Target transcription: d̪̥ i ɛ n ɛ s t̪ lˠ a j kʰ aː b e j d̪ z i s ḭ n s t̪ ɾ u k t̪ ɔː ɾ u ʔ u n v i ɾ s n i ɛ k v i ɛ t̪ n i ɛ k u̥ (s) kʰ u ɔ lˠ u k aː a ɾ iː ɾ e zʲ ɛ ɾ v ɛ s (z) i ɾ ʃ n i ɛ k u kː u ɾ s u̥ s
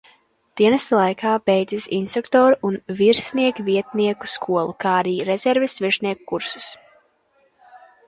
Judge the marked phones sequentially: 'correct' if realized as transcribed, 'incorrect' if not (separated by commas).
correct, incorrect